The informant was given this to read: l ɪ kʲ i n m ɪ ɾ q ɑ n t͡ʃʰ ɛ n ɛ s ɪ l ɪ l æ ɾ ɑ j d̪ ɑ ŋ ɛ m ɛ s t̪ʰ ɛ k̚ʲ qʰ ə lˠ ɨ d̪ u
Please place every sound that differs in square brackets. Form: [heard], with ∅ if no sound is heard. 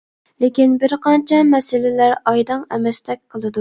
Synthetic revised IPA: l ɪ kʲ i n [b] ɪ ɾ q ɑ n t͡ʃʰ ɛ [m] ɛ s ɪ l ɪ l æ ɾ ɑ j d̪ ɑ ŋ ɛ m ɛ s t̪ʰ ɛ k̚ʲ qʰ ə lˠ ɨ d̪ u